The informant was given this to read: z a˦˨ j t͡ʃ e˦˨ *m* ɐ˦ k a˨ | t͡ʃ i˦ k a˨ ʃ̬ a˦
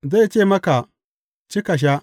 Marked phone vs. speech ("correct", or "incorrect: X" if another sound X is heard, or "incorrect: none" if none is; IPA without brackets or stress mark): correct